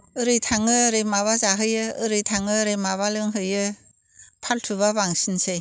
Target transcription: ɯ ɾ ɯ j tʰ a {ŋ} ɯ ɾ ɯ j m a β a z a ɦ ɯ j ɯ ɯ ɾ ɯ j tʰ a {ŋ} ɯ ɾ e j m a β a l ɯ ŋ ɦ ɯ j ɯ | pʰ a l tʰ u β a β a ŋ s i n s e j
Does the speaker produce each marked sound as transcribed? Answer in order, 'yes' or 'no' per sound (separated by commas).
yes, yes